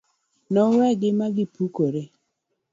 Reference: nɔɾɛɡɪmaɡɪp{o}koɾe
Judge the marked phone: incorrect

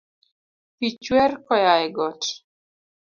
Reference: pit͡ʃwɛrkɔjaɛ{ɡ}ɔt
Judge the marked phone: correct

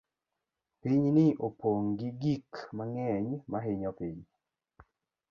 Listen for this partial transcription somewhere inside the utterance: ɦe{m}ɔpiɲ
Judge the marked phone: incorrect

